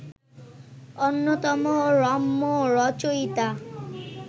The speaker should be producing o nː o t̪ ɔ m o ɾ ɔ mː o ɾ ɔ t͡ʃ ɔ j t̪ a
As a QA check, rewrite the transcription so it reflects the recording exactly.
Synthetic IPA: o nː o t̪ ɔ m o ɾ ɔ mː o ɾ ɔ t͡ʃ o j t̪ a